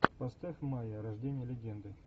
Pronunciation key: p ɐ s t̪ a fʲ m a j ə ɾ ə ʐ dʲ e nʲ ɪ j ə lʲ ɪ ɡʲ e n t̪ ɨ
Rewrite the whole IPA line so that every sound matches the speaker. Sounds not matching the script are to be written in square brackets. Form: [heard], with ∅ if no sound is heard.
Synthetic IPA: p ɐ s t̪ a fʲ m a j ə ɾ [ɐ] ʐ dʲ e nʲ ɪ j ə lʲ ɪ ɡʲ e n [d̪] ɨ